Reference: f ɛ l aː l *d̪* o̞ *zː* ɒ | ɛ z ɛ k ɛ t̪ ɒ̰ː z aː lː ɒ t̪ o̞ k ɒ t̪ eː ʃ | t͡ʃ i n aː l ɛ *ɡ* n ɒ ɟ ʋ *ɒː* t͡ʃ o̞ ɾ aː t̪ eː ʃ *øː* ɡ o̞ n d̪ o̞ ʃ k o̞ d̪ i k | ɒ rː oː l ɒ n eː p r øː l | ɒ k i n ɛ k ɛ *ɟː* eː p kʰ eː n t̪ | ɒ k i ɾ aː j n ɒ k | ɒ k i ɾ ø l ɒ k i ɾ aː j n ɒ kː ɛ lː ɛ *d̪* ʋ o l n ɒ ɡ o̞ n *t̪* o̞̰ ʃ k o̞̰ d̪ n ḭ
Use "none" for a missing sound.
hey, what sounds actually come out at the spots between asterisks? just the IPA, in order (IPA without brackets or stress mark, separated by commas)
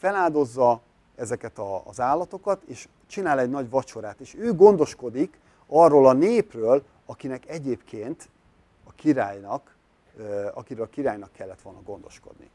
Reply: d̪, zː, ɟ, ɒ, øː, ɟ, t̪, d̪